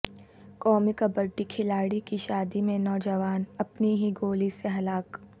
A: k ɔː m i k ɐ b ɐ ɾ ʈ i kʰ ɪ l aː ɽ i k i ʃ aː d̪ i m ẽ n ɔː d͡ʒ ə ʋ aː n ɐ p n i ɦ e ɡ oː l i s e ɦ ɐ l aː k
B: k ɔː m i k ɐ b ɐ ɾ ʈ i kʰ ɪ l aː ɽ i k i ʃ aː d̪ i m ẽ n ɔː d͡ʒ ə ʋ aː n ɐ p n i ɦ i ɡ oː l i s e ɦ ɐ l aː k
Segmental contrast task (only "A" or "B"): B